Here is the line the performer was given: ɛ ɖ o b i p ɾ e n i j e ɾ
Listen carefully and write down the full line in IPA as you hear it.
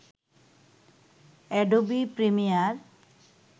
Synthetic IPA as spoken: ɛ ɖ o b i p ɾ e m i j a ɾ